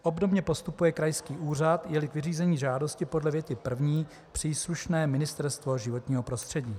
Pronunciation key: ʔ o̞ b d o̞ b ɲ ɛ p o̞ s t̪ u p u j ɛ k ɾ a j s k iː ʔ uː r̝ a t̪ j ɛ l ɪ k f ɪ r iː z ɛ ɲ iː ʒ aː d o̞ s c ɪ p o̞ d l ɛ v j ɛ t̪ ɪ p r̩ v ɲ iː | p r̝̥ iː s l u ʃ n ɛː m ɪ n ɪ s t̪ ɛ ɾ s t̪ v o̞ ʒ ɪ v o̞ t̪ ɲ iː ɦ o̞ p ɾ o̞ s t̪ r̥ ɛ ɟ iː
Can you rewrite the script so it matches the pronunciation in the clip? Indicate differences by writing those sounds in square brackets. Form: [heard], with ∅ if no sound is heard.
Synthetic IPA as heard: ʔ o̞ b d o̞ b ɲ ɛ p o̞ s t̪ u p u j ɛ k ɾ a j s k iː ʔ uː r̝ a t̪ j ɛ l ɪ k [v] ɪ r iː z ɛ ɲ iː ʒ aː d o̞ s c ɪ p o̞ d l ɛ v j ɛ t̪ ɪ p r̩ v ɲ iː | p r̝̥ iː s l u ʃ n ɛː m ɪ n ɪ s t̪ ɛ ɾ s t̪ v o̞ ʒ ɪ v o̞ t̪ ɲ iː ɦ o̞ p ɾ o̞ s t̪ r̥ ɛ ɟ iː